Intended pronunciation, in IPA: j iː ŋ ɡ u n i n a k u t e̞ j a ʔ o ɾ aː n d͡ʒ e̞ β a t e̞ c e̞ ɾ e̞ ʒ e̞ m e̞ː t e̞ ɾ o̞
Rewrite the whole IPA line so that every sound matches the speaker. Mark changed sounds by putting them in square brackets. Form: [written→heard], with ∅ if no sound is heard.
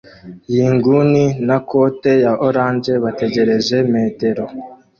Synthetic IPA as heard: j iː ŋ ɡ u n i n a k [u→o] t e̞ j a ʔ o ɾ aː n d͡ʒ e̞ β a t e̞ [c→ɟ] e̞ ɾ e̞ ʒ e̞ m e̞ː t e̞ ɾ o̞

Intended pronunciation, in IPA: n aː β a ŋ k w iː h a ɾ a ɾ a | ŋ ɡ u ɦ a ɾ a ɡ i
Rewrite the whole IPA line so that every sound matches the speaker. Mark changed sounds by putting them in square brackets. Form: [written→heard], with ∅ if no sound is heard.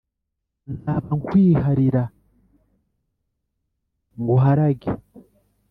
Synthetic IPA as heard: n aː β a ŋ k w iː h a ɾ [a→i] ɾ a | ŋ ɡ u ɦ a ɾ a ɡ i

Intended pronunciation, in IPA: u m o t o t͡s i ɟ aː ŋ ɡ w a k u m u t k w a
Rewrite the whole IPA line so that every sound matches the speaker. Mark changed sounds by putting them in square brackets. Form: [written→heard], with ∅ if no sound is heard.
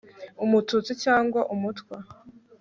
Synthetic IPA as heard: u m [o→u] t [o→u] t͡s i [ɟ→c] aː ŋ ɡ w a [k→ʔ] u m u t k w a

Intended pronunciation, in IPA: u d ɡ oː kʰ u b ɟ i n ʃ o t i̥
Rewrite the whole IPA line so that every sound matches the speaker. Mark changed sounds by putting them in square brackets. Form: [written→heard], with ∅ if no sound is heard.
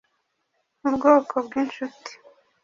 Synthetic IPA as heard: u [d→b] ɡ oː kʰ [u→o] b [ɟ→ɡ] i n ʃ [o→u] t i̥

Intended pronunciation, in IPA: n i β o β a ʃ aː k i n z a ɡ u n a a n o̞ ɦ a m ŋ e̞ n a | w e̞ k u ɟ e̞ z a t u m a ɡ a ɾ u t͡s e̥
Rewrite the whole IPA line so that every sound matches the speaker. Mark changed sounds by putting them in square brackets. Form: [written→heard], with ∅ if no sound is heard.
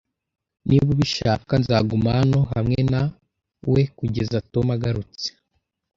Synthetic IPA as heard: n i β [o→u] β [a→i] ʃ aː k [i→a] n z a ɡ u [n→m] a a n o̞ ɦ a m ŋ e̞ n a | w e̞ k u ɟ e̞ z a t [u→o] m a ɡ a ɾ u t͡s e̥

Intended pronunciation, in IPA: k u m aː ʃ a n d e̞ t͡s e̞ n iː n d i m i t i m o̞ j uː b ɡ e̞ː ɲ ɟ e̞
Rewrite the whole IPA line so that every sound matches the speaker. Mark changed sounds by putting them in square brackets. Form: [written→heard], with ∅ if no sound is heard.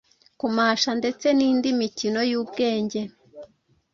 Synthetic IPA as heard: k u m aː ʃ a n d e̞ t͡s e̞ n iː n d i m i [t→c] i [m→n] o̞ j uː b ɡ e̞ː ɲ ɟ e̞

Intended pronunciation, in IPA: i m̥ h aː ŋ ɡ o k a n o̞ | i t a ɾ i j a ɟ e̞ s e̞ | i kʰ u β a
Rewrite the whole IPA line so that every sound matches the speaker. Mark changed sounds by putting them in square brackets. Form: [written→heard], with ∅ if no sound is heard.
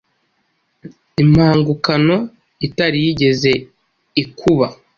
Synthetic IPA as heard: i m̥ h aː ŋ ɡ [o→u] k a n o̞ | i t a ɾ i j [a→i] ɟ e̞ [s→z] e̞ | i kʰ u β a

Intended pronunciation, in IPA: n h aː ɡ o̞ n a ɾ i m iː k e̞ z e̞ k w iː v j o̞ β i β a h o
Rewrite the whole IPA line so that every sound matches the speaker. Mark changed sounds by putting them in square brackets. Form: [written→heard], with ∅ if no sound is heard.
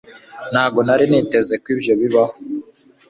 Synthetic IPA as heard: n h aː ɡ o̞ n a ɾ i [m→n] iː [k→t] e̞ z e̞ k w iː [v→b] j o̞ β i β a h o

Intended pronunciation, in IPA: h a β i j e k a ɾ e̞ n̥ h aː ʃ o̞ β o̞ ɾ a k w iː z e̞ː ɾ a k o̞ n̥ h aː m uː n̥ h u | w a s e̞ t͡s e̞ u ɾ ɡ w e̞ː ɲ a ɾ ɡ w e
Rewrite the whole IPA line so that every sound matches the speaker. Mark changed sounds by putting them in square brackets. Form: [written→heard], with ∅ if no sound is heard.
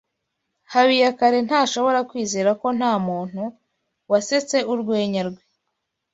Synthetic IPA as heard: h a β i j [e→a] k a ɾ e̞ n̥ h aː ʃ o̞ β o̞ ɾ a k w iː z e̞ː ɾ a k o̞ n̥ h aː m uː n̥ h u | w a s e̞ t͡s e̞ u ɾ ɡ w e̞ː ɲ a ɾ ɡ w e

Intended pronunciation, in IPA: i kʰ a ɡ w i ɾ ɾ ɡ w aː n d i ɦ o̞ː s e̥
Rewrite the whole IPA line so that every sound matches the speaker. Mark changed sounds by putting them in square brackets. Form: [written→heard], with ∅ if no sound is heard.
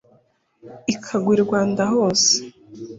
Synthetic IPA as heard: i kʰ a ɡ w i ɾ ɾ ɡ w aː n d [i→a] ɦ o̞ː s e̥

